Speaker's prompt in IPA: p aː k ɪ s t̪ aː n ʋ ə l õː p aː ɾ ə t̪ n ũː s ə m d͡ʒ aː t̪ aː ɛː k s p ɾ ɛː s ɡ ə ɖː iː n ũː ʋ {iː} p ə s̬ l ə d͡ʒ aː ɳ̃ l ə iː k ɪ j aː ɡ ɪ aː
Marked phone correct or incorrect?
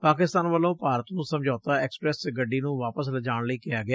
incorrect